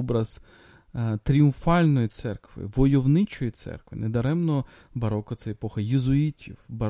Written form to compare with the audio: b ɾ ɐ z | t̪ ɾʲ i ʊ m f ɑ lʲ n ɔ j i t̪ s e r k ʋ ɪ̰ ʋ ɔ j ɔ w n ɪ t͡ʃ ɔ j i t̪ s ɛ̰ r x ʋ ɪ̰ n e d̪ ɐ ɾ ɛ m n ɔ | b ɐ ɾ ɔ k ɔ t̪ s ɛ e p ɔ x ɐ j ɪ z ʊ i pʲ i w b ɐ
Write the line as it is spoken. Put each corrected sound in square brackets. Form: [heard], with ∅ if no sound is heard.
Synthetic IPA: b ɾ ɐ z | t̪ ɾʲ i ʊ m f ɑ lʲ n ɔ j i t̪ s [ɛ] r k ʋ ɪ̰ ʋ ɔ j ɔ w n ɪ t͡ʃ ɔ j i t̪ s ɛ̰ r [k] ʋ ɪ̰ n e d̪ ɐ ɾ ɛ m n ɔ | b ɐ ɾ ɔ k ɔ t̪ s ɛ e p ɔ x ɐ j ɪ z ʊ i [tʲ] i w b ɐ